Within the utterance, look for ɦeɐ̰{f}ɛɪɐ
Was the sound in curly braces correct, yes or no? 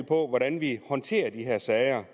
no